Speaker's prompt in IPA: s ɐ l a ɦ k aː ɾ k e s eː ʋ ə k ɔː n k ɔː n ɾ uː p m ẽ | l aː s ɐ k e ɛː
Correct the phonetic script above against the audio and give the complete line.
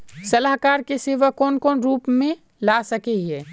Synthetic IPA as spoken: s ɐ l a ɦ k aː ɾ k e s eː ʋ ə k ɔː n k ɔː n ɾ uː p m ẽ | l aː s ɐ k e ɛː